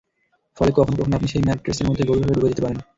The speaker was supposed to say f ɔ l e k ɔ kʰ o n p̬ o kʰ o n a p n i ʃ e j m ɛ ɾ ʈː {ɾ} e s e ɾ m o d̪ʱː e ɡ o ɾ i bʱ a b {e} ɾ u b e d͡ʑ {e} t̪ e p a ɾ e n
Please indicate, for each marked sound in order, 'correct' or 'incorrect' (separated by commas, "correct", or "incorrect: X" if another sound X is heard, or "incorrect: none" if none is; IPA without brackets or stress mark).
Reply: correct, correct, incorrect: i